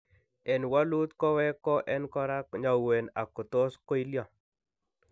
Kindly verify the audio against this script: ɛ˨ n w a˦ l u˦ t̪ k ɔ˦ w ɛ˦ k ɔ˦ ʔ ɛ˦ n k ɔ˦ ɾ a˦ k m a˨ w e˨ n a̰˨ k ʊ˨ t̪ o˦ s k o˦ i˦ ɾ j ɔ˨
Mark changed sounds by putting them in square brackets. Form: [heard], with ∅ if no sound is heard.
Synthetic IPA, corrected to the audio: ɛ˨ n w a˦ l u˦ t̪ k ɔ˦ w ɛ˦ k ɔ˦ ʔ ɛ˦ n k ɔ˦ ɾ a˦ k [ɲ] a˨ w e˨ n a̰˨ k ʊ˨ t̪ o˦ s k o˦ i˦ [l] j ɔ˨